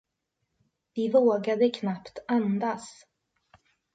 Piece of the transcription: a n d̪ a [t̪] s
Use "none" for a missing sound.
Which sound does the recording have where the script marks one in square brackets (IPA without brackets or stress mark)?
none